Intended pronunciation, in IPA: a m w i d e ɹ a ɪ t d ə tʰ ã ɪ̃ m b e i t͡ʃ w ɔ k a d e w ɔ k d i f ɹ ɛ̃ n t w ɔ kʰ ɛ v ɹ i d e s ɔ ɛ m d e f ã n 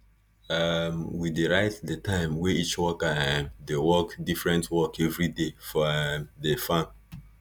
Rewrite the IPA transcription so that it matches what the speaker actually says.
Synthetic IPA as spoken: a m w i d e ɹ a ɪ t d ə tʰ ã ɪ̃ m w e i t͡ʃ w ɔ k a d e w ɔ k d i f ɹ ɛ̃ n t w ɔ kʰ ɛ v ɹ i d e f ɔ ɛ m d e f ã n